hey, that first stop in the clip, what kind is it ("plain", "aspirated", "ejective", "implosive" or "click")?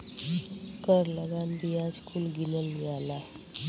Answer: plain